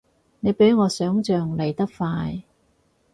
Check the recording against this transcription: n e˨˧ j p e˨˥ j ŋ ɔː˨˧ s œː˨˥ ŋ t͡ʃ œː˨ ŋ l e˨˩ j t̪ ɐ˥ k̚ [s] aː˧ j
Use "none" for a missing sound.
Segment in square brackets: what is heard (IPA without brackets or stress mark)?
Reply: f